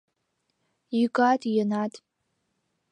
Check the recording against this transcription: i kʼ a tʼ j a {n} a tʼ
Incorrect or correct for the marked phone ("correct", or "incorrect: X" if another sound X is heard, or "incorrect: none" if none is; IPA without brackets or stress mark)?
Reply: correct